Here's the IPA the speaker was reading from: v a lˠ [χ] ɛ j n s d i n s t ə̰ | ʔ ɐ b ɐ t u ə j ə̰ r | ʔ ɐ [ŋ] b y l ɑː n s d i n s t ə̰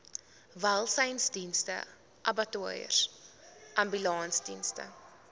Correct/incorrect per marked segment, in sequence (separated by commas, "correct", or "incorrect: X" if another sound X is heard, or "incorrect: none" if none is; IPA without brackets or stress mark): incorrect: s, incorrect: m